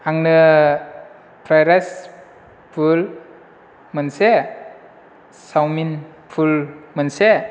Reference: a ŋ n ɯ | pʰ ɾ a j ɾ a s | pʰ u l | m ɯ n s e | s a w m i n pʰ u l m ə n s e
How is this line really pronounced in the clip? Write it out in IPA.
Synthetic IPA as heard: a ŋ n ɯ | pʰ ɾ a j ɾ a s | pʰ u l | m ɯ n s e | s a w m i n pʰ u l m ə n s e